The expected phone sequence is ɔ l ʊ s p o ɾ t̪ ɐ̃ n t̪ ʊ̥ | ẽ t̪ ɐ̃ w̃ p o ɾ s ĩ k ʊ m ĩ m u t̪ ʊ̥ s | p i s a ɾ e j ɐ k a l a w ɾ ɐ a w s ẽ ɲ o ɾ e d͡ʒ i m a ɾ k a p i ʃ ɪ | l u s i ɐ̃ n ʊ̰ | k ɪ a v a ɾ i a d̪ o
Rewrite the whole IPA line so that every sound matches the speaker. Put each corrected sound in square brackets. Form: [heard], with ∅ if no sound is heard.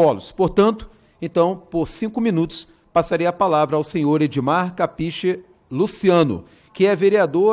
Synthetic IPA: ɔ l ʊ s p o ɾ t̪ ɐ̃ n t̪ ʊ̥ | ẽ t̪ ɐ̃ w̃ p o ɾ s ĩ k ʊ m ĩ [n] u t̪ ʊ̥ s | p [a] s a ɾ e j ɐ [p] a l a [v] ɾ ɐ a w s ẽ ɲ o ɾ e d͡ʒ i m a ɾ k a p i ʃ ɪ | l u s i ɐ̃ n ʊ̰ | k ɪ [ɛ] v [e] ɾ i a d̪ o